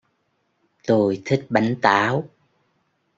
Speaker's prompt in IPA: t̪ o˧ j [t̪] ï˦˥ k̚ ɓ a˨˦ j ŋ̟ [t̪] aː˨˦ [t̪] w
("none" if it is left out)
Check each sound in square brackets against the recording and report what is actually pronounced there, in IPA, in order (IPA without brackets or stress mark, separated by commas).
t̪ʰ, t̪, none